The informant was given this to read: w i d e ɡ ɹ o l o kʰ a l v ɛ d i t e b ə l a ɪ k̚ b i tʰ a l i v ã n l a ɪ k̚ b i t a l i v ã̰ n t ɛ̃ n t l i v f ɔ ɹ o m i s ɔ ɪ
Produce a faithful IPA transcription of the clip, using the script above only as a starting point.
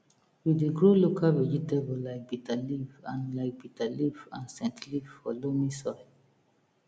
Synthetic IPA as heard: w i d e ɡ ɹ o l o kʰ a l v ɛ d͡ʒ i t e b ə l a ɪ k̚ b i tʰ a l i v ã n l a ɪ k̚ b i t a l i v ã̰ n s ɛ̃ n t l i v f ɔ l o m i s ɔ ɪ